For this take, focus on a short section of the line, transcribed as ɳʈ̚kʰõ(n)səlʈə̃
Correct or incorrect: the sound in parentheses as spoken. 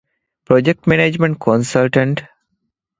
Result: correct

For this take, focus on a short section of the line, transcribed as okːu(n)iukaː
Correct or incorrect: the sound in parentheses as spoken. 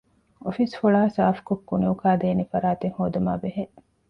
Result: correct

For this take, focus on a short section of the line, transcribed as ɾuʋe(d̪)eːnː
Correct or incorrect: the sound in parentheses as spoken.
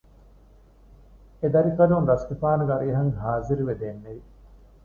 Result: correct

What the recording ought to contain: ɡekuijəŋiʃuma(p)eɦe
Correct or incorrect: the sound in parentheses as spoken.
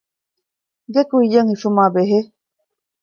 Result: incorrect: b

